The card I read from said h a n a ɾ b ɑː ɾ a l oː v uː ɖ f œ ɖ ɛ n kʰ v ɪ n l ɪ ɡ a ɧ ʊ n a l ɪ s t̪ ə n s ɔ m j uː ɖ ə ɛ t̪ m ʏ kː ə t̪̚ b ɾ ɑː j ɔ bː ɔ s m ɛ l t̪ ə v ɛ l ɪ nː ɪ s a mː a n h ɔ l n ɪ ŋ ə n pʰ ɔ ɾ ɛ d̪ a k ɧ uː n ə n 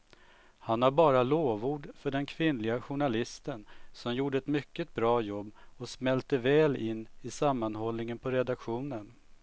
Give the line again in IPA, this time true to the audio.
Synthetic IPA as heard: h a n a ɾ b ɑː ɾ a l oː v uː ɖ f œ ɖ ɛ n kʰ v ɪ n l ɪ ɡ a ɧ ʊ ɳ a l ɪ s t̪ ə n s ɔ m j uː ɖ ə ɛ t̪ m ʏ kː ə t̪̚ b ɾ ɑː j ɔ bː ɔ s m ɛ l t̪ ə v ɛː l ɪ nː ɪ s a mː a n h ɔ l n ɪ ŋ ə n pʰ ɔ ɾ ɛ d̪ a k ɧ uː n ə n